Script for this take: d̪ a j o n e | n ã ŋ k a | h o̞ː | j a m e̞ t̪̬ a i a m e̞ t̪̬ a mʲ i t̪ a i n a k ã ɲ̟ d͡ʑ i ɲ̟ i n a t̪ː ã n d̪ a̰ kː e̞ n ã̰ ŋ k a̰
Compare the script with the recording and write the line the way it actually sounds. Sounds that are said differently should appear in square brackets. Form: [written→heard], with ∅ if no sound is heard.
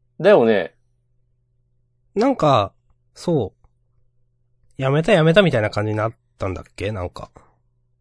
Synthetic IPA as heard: d̪ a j o n e | n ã ŋ k a | [h→s] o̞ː | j a m e̞ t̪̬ a [i→j] a m e̞ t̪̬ a mʲ i t̪ a i n a k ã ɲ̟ d͡ʑ i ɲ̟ i n a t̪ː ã n d̪ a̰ kː e̞ n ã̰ ŋ k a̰